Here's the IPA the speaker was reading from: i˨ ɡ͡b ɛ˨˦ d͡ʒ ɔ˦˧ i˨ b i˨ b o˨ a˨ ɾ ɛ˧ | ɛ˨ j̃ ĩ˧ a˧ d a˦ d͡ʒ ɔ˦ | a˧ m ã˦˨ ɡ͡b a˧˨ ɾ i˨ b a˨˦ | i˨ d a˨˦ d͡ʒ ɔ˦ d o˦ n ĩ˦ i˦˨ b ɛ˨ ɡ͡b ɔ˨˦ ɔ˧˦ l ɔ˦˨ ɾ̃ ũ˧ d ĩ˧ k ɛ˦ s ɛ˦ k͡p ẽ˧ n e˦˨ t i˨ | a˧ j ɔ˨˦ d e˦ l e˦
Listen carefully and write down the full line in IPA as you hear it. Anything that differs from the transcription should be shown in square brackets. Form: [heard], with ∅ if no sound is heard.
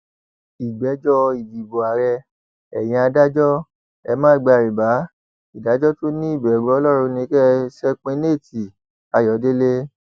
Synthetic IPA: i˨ ɡ͡b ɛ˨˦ d͡ʒ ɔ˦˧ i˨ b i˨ b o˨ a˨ ɾ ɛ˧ | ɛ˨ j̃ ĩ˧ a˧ d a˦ d͡ʒ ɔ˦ | [ɛ˧] m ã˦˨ ɡ͡b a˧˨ ɾ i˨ b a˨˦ | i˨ d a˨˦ d͡ʒ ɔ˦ [t] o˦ n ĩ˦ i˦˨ b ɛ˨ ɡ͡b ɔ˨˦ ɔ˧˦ l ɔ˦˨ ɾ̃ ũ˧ [n] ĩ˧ k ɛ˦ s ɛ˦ k͡p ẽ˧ n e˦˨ t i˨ | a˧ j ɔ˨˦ d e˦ l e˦